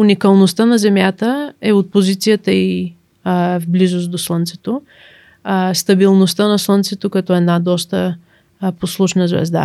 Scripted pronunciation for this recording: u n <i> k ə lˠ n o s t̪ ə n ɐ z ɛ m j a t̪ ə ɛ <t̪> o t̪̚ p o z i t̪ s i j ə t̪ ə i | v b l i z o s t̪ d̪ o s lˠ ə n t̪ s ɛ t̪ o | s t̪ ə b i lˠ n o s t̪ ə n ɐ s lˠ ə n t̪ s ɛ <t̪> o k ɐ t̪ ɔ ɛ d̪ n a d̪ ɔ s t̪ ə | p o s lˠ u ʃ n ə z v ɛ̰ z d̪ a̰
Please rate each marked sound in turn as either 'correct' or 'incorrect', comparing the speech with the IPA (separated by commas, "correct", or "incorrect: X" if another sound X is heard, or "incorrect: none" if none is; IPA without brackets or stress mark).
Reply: correct, incorrect: none, correct